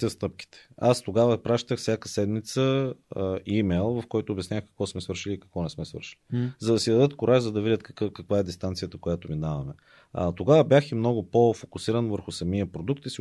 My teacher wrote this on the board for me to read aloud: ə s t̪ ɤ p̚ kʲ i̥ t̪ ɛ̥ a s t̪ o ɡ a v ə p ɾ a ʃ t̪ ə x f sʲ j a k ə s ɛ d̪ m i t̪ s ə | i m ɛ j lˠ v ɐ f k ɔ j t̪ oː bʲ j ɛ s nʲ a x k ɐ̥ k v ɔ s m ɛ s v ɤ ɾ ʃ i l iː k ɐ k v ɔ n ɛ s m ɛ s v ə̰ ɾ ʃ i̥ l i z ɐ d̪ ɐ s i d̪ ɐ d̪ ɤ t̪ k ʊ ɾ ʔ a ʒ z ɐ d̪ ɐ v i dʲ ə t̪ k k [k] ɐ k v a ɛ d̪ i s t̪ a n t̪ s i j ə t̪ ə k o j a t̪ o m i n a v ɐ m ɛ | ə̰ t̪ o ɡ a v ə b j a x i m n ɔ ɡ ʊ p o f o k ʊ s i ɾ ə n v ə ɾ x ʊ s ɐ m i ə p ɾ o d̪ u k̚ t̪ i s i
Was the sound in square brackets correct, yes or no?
yes